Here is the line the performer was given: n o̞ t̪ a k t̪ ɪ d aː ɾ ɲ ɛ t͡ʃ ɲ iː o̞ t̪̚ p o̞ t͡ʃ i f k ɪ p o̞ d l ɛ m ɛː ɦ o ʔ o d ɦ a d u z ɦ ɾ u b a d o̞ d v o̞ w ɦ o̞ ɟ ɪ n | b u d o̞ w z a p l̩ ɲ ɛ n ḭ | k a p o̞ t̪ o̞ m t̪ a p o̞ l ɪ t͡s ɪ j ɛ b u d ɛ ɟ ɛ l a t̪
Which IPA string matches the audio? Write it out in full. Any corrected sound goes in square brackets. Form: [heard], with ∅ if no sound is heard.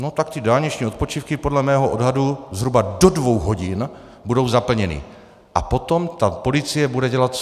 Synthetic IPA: n o̞ t̪ a k t̪ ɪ d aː [l] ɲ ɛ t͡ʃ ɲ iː o̞ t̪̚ p o̞ t͡ʃ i f k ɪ p o̞ d l ɛ m ɛː ɦ o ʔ o d ɦ a d u z ɦ ɾ u b a d o̞ d v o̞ w ɦ o̞ ɟ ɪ n | b u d o̞ w z a p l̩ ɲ ɛ n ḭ | [ʔ] a p o̞ t̪ o̞ m t̪ a p o̞ l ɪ t͡s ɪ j ɛ b u d ɛ ɟ ɛ l a t̪